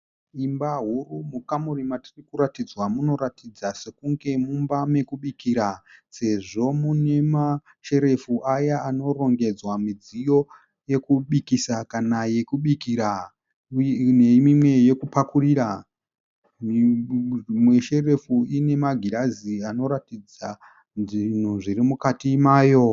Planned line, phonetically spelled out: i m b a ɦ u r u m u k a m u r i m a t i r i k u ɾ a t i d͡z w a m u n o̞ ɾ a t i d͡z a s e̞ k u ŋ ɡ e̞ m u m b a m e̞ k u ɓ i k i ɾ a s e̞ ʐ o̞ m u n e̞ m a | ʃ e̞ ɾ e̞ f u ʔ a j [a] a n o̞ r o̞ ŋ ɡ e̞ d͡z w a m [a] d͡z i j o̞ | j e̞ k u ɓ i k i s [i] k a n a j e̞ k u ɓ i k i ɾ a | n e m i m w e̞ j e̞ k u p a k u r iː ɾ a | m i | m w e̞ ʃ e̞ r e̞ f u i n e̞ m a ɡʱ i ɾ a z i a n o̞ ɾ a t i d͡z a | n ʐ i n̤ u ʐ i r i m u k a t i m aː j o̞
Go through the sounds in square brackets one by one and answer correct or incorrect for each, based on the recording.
correct, incorrect: i, incorrect: a

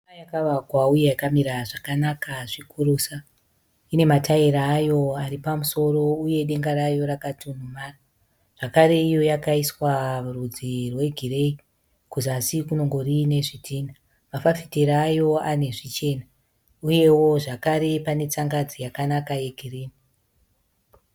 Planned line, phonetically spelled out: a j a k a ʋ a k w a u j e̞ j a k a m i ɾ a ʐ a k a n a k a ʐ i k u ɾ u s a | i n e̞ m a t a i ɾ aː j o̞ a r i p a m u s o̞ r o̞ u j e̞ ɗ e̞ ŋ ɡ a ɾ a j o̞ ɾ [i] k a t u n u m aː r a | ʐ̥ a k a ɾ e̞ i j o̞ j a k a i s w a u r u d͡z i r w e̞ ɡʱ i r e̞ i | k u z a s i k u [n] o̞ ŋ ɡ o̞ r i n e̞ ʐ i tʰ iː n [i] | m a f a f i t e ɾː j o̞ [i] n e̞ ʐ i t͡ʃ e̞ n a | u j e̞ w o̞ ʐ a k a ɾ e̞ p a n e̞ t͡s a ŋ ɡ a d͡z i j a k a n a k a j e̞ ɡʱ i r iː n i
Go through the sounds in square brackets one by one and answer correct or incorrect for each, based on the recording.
incorrect: a, correct, incorrect: a, incorrect: a

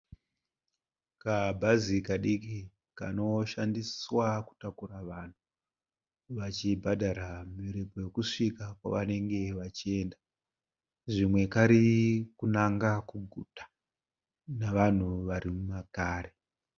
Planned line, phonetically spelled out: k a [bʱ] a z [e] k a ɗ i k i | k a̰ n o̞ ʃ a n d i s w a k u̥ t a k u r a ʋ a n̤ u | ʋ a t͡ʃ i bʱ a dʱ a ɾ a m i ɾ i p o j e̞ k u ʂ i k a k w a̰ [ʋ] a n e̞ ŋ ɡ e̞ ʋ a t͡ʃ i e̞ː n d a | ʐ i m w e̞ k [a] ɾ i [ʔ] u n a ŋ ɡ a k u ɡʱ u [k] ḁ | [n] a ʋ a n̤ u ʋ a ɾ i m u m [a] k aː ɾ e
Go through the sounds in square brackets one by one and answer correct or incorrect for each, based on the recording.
correct, incorrect: i, correct, correct, incorrect: k, incorrect: t, correct, correct

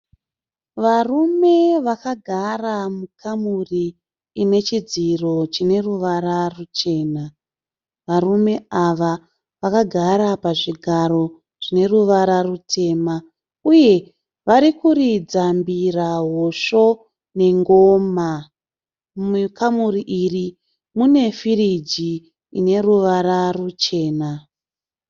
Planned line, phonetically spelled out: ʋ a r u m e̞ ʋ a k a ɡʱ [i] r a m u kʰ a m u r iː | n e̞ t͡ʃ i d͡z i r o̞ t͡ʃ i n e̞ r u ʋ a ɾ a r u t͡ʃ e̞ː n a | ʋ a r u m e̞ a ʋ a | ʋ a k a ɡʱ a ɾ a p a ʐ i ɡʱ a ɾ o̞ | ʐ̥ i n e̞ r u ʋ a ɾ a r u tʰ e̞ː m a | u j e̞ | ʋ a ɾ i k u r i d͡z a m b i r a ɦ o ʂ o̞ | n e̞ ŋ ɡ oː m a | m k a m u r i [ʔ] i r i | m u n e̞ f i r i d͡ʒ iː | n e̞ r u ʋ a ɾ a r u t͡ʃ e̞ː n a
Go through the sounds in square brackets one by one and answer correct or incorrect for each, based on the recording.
incorrect: a, correct

